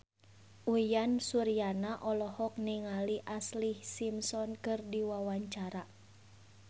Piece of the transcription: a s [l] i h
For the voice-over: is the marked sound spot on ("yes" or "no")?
yes